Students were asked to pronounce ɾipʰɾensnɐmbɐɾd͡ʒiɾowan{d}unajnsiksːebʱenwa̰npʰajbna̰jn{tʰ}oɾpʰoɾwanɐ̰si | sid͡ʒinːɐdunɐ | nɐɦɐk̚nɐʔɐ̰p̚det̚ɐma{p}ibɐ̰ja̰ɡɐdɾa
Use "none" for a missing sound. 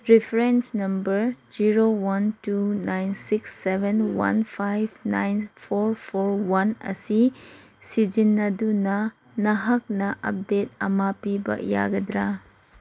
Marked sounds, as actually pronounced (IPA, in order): t, pʰ, p

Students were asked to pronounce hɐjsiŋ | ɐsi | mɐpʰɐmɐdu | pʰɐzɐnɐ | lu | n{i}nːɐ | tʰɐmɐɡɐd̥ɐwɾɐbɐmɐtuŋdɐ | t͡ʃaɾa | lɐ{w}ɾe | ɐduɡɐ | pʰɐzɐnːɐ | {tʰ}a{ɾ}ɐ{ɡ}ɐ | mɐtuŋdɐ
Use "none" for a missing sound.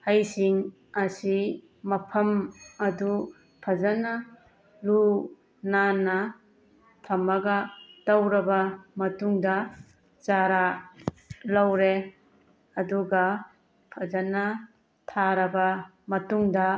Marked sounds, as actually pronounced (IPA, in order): a, w, tʰ, ɾ, b

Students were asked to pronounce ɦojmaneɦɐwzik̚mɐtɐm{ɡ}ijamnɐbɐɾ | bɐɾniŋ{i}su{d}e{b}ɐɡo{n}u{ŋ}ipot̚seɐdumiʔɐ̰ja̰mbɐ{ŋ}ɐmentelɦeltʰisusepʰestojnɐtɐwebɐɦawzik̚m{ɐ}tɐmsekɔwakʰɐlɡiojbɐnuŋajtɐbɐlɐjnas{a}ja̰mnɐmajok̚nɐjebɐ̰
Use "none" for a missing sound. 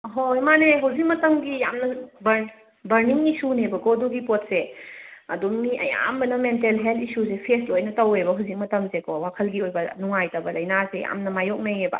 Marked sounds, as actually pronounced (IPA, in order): ɡ, i, n, b, d, ɡ, n, ɐ, e

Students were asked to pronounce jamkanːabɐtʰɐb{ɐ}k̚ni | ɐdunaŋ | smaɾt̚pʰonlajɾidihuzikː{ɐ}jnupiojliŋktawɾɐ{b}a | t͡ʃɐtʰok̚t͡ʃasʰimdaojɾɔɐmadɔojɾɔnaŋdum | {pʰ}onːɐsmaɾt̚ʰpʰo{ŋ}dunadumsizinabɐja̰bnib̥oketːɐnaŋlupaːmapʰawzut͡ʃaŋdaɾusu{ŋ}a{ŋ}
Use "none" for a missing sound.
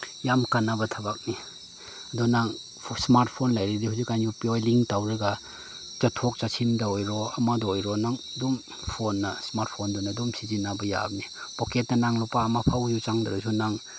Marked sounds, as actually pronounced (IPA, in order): a, a, ɡ, pʰ, n, n, ŋ

